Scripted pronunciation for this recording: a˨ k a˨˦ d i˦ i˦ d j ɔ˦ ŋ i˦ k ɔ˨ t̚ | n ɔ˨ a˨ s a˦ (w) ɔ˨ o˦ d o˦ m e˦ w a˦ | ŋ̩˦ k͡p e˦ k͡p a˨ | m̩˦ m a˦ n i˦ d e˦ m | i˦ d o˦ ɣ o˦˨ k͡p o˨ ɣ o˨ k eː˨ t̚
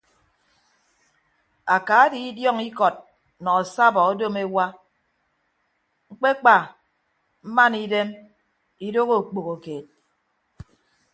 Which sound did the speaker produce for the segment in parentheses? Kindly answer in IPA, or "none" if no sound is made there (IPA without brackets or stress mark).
b